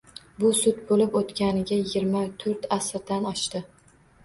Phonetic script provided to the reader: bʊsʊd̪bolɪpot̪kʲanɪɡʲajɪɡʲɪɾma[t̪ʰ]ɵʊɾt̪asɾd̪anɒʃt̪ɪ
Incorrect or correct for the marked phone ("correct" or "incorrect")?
correct